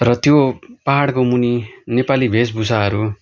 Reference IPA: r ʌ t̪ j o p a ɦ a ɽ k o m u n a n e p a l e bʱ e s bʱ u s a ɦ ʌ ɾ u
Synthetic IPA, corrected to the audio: r ʌ t̪ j o p a ɦ a ɽ k o m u n i n e p a l i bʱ e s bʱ u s a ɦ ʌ ɾ u